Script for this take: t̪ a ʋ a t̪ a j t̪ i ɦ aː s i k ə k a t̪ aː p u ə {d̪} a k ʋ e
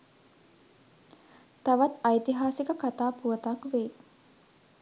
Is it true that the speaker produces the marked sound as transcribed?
no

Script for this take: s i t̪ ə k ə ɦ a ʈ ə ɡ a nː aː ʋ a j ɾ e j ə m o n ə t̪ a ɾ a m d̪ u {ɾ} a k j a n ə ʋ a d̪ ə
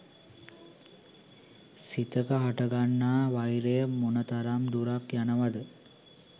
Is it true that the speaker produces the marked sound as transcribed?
yes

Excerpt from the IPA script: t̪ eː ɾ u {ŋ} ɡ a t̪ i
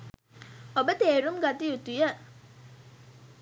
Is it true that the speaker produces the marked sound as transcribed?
no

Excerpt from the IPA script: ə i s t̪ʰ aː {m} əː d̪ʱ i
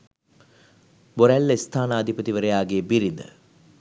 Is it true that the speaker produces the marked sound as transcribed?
no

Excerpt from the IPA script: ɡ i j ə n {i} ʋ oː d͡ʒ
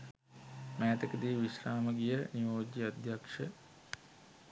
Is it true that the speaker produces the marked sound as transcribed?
yes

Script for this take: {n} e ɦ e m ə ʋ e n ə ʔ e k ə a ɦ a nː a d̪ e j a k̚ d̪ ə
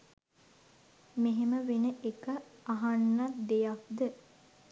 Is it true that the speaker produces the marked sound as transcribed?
no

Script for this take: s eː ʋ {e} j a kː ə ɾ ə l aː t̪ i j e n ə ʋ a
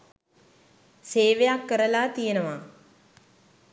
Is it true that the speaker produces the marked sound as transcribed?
yes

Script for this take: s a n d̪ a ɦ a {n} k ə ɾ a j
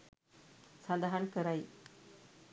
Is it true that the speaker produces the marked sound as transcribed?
yes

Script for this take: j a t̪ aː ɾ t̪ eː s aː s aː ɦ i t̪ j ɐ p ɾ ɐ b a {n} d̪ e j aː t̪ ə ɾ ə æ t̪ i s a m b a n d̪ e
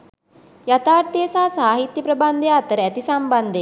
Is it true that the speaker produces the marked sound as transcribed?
yes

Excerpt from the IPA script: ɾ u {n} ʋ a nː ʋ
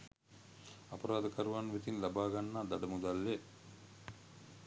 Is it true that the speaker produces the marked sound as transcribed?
no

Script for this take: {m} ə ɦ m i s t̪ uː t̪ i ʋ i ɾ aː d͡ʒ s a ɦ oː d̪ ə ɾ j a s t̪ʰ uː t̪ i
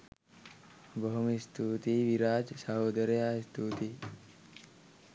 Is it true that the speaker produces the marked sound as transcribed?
no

